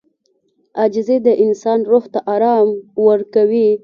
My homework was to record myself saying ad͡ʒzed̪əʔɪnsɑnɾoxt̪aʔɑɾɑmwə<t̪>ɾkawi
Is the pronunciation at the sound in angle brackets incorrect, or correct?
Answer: incorrect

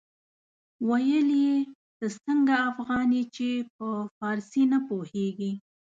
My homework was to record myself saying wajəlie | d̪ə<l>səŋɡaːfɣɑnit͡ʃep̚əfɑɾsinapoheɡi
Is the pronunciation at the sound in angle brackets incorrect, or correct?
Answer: incorrect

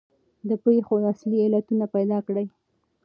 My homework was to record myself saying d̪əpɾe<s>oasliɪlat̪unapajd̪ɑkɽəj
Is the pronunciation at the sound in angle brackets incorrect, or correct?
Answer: incorrect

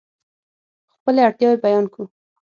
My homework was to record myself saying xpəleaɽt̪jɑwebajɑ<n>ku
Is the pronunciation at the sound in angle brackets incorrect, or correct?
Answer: correct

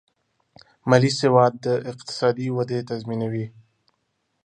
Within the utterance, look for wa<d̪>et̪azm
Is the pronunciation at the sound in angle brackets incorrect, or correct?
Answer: correct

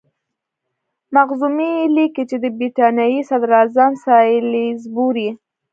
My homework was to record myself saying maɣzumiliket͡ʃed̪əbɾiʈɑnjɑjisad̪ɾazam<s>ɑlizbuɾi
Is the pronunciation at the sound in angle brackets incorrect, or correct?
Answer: correct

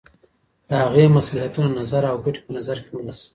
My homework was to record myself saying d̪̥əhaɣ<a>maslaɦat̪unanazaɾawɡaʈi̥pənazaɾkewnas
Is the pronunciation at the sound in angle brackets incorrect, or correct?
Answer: incorrect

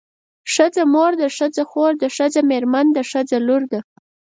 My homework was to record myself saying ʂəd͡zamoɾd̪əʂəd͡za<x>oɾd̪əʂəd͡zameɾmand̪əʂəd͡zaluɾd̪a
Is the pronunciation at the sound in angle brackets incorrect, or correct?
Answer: correct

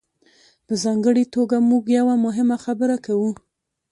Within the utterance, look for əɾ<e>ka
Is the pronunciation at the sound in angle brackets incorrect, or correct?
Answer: incorrect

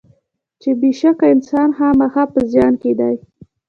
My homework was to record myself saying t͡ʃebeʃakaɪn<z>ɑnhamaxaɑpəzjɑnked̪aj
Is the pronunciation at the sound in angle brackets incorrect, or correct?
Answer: incorrect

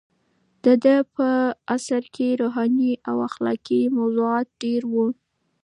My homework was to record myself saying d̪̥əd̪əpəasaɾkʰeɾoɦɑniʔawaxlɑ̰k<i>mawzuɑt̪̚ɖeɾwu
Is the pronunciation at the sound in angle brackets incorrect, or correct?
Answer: correct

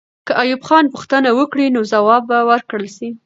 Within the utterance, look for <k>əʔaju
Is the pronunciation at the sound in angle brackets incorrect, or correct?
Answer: correct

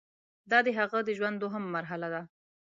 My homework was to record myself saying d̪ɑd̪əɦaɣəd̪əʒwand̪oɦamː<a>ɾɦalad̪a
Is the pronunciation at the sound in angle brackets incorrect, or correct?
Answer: correct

